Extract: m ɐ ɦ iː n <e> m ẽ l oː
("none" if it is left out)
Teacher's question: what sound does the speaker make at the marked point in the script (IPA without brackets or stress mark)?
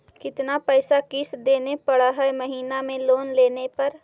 a